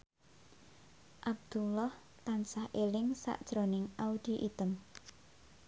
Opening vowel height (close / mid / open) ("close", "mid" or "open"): open